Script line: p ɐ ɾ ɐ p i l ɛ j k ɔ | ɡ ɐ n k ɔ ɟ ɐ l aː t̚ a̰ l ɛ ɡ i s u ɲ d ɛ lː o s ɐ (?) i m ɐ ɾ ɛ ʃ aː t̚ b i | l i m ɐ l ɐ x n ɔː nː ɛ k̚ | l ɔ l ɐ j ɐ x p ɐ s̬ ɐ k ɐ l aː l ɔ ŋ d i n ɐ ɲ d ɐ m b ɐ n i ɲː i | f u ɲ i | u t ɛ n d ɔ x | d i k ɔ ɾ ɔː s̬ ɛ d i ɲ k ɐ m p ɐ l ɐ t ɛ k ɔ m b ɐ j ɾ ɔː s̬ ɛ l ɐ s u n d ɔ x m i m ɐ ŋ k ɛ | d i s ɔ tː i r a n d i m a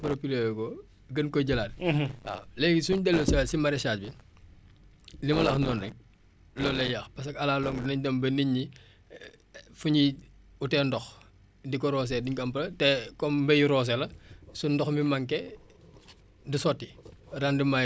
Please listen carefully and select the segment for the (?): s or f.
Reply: s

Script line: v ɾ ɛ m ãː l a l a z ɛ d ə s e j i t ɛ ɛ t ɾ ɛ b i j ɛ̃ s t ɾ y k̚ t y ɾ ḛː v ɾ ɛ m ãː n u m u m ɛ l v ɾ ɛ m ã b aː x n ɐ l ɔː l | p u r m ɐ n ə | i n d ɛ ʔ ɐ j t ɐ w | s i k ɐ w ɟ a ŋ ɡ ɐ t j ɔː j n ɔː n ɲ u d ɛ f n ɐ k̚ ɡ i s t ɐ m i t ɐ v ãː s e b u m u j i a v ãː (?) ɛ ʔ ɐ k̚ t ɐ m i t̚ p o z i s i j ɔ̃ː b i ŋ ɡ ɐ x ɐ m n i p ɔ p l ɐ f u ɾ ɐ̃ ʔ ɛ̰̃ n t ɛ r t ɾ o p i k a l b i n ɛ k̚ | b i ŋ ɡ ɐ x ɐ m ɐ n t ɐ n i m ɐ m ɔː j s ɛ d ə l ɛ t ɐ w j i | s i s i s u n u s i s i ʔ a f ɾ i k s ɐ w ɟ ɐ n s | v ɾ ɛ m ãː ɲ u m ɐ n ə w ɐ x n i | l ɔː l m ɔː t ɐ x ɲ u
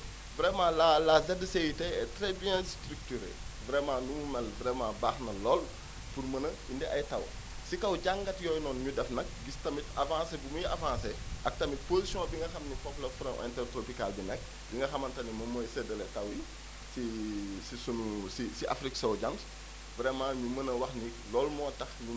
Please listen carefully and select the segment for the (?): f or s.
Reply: s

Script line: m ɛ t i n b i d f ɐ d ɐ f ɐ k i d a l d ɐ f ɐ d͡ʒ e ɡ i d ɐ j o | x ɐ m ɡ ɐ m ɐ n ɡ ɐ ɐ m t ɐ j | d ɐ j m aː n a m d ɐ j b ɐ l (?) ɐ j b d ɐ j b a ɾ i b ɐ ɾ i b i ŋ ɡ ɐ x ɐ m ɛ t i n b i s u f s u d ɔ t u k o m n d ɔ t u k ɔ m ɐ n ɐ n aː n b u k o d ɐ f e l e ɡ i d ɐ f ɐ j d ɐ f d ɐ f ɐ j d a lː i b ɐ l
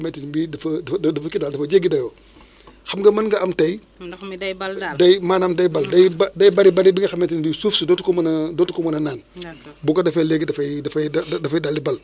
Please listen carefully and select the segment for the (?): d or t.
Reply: d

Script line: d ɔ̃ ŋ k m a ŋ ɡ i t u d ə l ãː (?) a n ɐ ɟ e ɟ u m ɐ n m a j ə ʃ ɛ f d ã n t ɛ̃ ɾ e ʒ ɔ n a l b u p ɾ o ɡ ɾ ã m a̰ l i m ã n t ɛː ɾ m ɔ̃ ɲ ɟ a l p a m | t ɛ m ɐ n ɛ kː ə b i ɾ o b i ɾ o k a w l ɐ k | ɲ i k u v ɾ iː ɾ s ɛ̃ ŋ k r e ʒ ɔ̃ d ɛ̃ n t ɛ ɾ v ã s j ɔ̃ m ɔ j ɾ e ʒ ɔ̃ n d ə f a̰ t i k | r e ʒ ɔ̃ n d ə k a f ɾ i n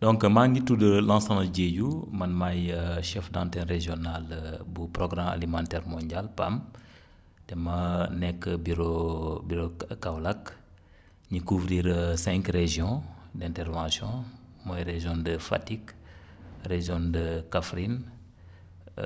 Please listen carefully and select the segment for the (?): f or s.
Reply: s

